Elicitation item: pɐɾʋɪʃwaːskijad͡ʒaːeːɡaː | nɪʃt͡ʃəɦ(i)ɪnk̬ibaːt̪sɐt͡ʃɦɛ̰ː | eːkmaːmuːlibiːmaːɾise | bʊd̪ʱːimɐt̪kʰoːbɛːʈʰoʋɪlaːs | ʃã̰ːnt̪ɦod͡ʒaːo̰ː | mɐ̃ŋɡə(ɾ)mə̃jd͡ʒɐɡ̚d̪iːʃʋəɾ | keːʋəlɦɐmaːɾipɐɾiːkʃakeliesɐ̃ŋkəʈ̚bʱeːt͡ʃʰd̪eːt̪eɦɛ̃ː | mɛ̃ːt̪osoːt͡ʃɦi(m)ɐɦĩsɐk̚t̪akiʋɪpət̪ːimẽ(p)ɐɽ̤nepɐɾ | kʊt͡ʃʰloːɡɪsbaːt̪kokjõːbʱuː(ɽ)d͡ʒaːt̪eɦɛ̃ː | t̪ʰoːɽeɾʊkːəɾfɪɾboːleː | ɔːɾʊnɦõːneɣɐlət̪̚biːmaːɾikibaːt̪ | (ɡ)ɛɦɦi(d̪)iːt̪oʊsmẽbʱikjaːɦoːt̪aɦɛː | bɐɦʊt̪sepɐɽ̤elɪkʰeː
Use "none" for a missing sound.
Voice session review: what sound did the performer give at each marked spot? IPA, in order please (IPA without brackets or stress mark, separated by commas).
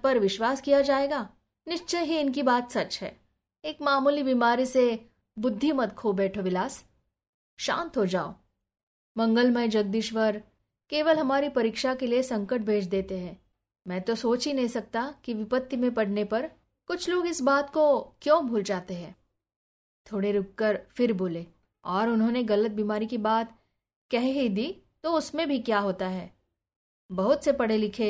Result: i, l, n, p, l, k, d̪